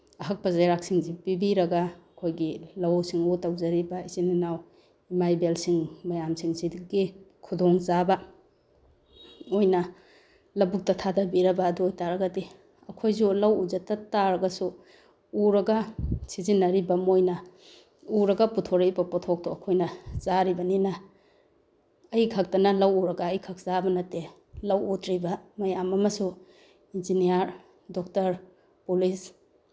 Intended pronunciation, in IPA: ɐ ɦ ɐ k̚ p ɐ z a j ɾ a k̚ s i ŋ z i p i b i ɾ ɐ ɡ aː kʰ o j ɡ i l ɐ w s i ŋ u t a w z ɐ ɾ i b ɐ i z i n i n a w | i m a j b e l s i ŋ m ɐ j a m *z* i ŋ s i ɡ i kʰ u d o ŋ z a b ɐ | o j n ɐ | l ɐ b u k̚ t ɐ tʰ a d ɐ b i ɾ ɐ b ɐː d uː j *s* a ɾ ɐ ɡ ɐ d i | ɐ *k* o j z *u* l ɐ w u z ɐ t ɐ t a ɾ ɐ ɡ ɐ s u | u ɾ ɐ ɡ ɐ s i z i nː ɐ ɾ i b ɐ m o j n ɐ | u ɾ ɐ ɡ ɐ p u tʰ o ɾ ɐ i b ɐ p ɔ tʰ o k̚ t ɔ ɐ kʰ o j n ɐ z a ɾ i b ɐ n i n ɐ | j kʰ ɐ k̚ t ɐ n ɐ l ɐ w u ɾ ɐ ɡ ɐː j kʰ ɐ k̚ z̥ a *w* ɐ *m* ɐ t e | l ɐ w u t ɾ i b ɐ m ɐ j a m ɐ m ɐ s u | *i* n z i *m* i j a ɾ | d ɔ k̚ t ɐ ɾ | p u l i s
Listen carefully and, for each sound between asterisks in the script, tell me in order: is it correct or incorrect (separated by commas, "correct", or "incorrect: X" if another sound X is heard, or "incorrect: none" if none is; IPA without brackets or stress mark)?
incorrect: s, incorrect: t, incorrect: kʰ, correct, incorrect: b, incorrect: n, correct, incorrect: n